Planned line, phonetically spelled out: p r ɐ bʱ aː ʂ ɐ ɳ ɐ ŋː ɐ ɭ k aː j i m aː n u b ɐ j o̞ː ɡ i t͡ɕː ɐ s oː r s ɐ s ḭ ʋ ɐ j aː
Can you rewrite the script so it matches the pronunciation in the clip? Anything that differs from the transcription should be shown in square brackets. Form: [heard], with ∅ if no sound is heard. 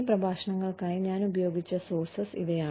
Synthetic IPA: p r ɐ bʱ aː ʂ ɐ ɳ ɐ ŋː ɐ ɭ k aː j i [ɲ] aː n u b ɐ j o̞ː ɡ i t͡ɕː ɐ s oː r s ɐ s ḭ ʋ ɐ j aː